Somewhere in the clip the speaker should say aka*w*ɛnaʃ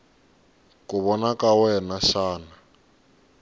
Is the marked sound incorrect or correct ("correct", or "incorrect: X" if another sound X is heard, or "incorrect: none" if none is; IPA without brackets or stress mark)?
correct